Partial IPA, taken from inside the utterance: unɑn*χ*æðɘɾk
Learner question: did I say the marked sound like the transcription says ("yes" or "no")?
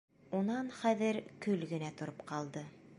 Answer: yes